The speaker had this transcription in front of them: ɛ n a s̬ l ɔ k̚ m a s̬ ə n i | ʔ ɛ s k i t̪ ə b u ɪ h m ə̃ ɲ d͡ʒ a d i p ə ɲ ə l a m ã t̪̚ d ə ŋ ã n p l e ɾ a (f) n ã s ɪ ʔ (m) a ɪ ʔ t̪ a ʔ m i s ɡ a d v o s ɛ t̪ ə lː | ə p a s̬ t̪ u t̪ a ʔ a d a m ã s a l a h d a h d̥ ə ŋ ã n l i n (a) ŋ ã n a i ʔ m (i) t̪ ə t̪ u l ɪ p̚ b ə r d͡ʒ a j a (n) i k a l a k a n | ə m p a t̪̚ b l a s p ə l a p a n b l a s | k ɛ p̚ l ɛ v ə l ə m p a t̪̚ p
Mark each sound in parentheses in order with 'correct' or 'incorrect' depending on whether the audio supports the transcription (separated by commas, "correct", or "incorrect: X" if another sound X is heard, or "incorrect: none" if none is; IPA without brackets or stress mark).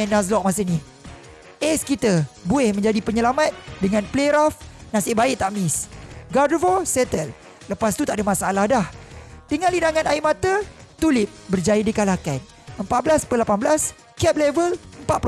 correct, incorrect: b, correct, incorrect: a, incorrect: d